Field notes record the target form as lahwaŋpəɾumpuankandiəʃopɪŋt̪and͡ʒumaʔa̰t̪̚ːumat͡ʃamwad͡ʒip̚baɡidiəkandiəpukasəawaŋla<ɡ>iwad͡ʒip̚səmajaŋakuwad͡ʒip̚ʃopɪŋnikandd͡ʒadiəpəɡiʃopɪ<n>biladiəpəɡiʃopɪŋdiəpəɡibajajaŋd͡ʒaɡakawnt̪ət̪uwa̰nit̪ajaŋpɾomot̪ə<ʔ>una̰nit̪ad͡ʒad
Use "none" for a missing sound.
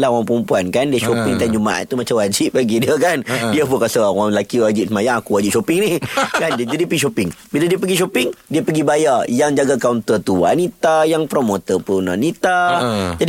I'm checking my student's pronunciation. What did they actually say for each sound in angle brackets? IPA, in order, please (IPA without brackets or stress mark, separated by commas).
k, ŋ, p